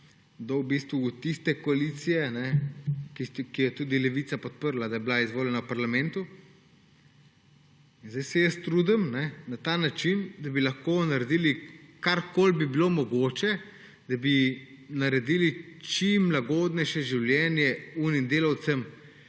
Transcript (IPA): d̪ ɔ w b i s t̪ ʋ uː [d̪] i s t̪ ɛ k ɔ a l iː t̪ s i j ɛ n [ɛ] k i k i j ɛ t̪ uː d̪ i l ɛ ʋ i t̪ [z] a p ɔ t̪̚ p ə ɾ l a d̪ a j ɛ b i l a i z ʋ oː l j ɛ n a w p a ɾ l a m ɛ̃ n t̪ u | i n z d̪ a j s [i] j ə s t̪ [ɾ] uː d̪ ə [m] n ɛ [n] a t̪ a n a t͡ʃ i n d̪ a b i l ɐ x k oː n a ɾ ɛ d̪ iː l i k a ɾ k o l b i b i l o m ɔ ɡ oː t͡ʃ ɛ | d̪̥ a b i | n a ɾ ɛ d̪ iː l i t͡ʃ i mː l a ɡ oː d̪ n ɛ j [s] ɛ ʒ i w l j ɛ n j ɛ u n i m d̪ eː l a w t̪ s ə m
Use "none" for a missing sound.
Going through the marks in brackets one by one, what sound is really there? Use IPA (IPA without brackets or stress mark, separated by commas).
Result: t̪, ɛ, s, ɛ, ɾ, m, n, ʃ